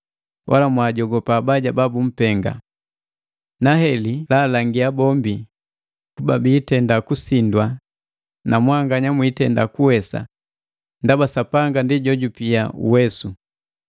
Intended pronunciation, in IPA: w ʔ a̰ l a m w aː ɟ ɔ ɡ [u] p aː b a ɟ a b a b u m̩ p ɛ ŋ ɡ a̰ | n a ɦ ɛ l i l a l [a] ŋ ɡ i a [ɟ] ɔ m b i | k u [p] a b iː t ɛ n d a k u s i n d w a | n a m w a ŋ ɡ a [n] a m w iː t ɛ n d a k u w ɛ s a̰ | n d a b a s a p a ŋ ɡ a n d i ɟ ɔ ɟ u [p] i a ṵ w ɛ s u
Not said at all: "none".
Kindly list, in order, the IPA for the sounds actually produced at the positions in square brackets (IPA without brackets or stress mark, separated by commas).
ɔ, a, b, b, ɲ, p